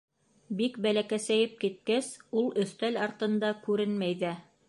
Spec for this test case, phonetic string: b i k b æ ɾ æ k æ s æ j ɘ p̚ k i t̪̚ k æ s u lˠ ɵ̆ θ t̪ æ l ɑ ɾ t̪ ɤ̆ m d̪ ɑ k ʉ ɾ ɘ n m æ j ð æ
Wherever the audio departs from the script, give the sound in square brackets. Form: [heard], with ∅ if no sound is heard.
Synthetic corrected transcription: b i k b æ [l] æ k æ s æ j ɘ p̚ k i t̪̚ k æ s u lˠ ɵ̆ θ t̪ æ l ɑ ɾ t̪ ɤ̆ [n] d̪ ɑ k ʉ ɾ ɘ n m æ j ð æ